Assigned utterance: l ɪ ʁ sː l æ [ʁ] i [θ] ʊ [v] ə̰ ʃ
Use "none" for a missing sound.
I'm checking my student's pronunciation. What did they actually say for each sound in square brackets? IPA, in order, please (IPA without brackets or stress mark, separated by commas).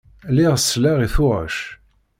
ʁ, θ, ʁ